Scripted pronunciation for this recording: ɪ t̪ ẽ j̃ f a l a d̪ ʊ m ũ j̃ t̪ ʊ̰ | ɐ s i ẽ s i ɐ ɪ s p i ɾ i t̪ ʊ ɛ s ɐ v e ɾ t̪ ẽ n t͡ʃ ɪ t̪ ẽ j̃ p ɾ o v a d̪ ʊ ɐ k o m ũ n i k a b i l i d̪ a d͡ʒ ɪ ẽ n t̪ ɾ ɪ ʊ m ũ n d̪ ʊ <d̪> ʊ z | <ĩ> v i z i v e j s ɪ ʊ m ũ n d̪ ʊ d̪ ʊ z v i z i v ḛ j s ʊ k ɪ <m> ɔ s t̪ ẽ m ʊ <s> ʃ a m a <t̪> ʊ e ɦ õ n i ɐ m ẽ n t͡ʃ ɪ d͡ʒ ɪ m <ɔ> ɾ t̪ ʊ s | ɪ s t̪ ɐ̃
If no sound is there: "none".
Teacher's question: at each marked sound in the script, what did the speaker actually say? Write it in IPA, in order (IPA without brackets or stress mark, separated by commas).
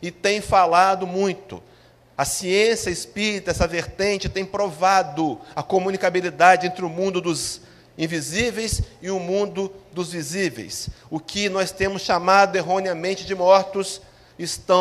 d̪, ĩ, n, s, d̪, ɔ